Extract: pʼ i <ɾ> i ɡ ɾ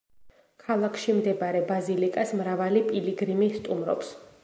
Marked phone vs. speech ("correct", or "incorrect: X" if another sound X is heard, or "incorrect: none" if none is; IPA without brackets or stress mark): incorrect: l